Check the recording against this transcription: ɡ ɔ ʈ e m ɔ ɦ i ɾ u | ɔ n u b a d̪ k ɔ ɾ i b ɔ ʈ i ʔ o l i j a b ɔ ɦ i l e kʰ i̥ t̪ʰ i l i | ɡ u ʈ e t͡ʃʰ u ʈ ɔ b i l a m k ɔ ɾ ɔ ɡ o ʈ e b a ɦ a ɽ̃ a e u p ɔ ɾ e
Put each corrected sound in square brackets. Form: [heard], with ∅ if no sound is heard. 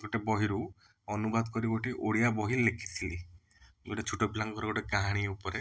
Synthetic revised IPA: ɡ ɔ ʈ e [b] ɔ ɦ i ɾ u | ɔ n u b a d̪ k ɔ ɾ i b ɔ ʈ i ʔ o [ɽ] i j a b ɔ ɦ i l e kʰ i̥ t̪ʰ i l i | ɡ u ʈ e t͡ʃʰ u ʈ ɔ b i l a [ŋ] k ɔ ɾ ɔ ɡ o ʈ e [ɡ] a ɦ a ɽ̃ [i] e u p ɔ ɾ e

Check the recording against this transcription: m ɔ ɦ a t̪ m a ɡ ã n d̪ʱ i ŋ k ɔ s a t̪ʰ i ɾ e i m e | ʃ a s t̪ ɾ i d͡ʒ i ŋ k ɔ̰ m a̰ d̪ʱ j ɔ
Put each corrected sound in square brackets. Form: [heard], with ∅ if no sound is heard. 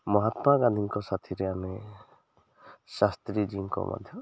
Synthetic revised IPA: m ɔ ɦ a t̪ m a ɡ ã n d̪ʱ i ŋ k ɔ s a t̪ʰ i ɾ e [a] m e | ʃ a s t̪ ɾ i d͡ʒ i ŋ k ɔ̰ m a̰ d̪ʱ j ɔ

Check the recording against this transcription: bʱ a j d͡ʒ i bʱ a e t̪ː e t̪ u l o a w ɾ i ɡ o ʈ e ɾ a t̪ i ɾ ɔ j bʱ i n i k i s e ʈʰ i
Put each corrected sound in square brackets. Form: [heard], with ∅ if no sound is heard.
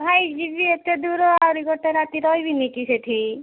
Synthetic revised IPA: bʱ a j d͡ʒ i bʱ [i] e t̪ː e [d̪] u [ɾ] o a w ɾ i ɡ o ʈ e ɾ a t̪ i ɾ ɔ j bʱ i n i k i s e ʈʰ i

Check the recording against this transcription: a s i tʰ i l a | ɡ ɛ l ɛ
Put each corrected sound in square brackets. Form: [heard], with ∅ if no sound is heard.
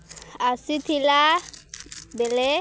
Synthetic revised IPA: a s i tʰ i l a | [b] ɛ l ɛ

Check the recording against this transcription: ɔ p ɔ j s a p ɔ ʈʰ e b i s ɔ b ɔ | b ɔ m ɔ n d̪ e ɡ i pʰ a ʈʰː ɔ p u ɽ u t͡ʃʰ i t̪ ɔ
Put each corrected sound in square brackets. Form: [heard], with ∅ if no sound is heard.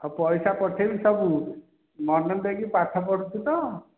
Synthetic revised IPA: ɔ p ɔ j s a p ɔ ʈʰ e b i s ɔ b [u] | [m] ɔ [n] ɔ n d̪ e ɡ i [p] a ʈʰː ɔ p [ɔ] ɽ u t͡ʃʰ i t̪ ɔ

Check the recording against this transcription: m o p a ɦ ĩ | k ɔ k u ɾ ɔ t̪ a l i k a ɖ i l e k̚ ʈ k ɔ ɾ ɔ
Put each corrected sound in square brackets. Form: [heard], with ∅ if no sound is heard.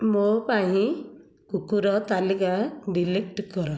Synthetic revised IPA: m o p a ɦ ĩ | k [u] k u ɾ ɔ t̪ a l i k a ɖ i l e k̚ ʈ k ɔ ɾ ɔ

